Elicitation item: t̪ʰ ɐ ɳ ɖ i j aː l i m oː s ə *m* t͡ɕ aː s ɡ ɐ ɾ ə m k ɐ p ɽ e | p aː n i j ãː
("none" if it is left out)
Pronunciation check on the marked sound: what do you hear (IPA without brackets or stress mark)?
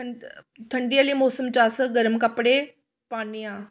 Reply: m